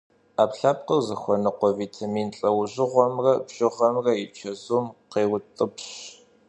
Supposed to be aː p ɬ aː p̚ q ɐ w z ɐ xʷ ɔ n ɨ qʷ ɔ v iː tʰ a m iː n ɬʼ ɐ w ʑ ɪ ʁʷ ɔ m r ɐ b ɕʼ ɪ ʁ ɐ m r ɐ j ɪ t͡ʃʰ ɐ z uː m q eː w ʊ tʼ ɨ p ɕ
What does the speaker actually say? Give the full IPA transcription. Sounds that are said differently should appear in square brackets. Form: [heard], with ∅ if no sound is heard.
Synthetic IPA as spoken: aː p ɬ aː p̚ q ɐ w z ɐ xʷ ɔ n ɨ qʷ ɔ v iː tʰ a m iː n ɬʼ ɐ w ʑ ɪ ʁʷ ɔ m r ɐ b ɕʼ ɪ ʁ ɐ m r ɐ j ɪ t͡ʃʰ ɐ z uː m q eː w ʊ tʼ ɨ p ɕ

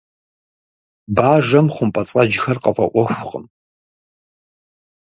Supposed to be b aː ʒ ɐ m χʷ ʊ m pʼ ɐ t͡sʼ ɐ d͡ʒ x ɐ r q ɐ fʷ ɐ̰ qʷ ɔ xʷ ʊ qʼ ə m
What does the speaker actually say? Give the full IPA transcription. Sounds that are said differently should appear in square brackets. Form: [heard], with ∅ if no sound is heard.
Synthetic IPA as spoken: b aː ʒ ɐ m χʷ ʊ m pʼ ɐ t͡sʼ ɐ d͡ʒ x ɐ r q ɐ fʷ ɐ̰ [ʔʷ] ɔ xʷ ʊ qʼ ə m

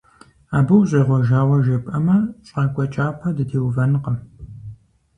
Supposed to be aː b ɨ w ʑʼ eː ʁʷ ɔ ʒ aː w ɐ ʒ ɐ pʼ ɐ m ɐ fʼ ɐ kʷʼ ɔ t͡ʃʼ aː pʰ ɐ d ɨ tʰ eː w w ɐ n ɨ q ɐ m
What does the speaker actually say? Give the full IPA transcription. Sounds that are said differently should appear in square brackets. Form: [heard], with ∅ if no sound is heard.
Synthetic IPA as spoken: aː b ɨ w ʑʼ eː ʁʷ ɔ ʒ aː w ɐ ʒ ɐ pʼ ɐ m ɐ [ɕʼ] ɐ kʷʼ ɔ t͡ʃʼ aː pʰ ɐ d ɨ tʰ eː w [v] ɐ n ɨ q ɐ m

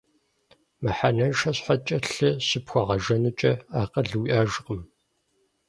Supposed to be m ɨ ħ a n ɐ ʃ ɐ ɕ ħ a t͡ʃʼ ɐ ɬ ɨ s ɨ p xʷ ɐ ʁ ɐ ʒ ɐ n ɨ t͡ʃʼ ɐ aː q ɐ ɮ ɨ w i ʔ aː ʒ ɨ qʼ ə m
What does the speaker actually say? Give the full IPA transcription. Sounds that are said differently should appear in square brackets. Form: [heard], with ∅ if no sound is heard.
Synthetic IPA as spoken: m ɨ ħ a n ɐ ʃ ɐ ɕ ħ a t͡ʃʼ ɐ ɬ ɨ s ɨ p xʷ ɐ ʁ ɐ ʒ ɐ n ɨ t͡ʃʼ ɐ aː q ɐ ɮ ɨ w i ʔ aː ʒ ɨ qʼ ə m

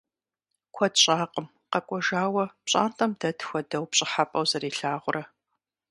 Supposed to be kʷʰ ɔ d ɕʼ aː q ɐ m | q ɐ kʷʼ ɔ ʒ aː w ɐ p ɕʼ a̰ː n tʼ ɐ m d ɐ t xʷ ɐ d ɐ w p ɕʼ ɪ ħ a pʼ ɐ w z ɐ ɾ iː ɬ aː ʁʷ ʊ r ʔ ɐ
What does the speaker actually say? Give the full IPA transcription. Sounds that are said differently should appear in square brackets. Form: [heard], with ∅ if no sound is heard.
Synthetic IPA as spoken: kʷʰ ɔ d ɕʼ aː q [ə] m | q ɐ kʷʼ ɔ ʒ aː w ɐ p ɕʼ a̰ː n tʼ ɐ m d ɐ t xʷ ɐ d ɐ w p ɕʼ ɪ ħ a pʼ ɐ w z ɐ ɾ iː ɬ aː ʁʷ ʊ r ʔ ɐ

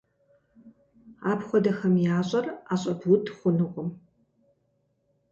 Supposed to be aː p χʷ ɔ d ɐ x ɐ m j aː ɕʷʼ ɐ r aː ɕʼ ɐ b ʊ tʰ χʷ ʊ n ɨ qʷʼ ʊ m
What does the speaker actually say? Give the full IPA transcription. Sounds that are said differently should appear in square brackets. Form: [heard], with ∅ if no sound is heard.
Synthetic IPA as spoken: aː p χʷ ɔ d ɐ x ɐ m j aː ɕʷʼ ɐ r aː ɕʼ ɐ b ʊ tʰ χʷ ʊ n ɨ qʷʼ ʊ m

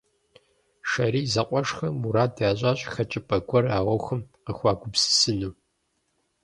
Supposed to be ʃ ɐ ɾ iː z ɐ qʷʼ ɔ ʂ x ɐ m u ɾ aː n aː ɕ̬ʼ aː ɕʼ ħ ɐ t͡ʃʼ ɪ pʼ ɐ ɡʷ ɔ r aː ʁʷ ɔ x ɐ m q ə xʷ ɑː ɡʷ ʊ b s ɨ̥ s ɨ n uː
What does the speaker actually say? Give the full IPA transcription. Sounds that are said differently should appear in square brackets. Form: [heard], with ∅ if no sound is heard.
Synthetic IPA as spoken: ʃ ɐ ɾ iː z ɐ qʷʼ ɔ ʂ x ɐ m u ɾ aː [d] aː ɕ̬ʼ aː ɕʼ [x] ɐ t͡ʃʼ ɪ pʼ ɐ ɡʷ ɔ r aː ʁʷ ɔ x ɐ m q ə xʷ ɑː ɡʷ ʊ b s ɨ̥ s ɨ n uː

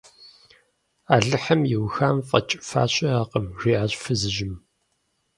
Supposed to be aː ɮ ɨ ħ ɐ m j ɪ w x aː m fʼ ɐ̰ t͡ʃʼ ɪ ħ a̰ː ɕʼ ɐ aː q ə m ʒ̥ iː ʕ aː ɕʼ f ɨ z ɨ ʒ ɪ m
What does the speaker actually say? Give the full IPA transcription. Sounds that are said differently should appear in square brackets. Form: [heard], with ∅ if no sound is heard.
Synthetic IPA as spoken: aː ɮ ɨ ħ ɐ m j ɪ w x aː m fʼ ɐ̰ t͡ʃʼ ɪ [f] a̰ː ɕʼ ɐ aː q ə m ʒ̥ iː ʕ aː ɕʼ f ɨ z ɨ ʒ ɪ m

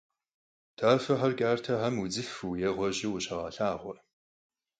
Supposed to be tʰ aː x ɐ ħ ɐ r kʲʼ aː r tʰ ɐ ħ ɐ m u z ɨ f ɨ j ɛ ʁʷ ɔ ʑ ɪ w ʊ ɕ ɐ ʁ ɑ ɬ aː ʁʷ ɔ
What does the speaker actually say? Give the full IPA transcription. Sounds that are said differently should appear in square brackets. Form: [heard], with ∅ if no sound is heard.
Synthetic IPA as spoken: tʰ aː [f] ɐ ħ ɐ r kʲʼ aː r tʰ ɐ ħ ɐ m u [d͡z] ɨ f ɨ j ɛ ʁʷ ɔ ʑ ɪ w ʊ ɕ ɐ ʁ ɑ ɬ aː ʁʷ ɔ

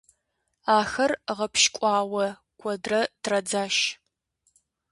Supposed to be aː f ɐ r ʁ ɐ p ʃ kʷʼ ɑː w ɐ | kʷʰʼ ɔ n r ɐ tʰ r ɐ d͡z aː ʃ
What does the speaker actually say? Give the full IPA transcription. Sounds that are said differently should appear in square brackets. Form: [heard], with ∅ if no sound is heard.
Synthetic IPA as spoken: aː [x] ɐ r ʁ ɐ p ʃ kʷʼ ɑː w ɐ | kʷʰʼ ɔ [d] r ɐ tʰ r ɐ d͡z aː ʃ

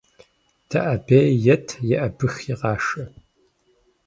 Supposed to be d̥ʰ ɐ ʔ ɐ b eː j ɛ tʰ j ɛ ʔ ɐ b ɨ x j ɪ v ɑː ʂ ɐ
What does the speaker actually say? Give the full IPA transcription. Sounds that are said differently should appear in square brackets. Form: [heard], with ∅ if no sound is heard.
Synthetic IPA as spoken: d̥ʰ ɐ ʔ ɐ b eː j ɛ tʰ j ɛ ʔ ɐ b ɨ x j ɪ [ʁ] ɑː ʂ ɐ

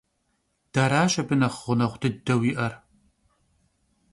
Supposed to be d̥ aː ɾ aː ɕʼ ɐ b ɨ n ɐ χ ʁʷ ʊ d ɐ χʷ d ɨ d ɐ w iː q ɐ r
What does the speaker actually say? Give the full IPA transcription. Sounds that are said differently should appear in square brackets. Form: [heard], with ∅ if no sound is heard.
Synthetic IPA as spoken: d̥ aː ɾ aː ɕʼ ɐ b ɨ n ɐ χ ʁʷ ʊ [n] ɐ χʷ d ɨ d ɐ w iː [ʔ] ɐ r

